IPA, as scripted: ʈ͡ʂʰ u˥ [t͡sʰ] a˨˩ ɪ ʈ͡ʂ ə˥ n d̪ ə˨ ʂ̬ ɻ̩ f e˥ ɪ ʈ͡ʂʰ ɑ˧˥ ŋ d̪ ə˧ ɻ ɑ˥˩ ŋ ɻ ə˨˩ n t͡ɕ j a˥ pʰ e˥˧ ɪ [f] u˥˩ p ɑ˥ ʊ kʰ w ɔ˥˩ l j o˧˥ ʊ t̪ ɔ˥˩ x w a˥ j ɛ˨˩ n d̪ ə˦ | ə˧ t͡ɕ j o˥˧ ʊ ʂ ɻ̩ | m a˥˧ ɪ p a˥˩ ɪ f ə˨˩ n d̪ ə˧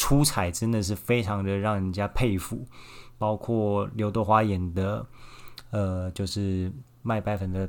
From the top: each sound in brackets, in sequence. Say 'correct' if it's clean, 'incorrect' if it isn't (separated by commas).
correct, correct